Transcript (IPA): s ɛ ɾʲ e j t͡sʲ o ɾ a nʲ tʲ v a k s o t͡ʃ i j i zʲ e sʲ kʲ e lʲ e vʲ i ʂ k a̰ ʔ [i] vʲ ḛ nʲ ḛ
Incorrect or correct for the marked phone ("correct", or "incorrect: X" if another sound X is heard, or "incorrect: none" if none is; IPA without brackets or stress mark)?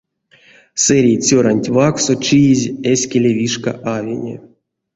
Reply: incorrect: a